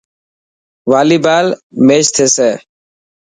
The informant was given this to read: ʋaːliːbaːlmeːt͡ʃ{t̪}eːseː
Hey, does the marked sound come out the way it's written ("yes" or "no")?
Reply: no